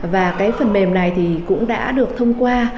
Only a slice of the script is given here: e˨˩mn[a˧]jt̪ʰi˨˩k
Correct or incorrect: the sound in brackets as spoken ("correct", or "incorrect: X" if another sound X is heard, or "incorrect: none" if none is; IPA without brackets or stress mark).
incorrect: a˨˩